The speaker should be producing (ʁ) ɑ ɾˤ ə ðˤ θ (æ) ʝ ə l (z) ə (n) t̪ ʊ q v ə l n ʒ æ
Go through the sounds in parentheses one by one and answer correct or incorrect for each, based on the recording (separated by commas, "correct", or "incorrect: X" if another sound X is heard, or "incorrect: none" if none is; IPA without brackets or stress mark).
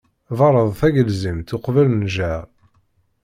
incorrect: v, correct, correct, incorrect: m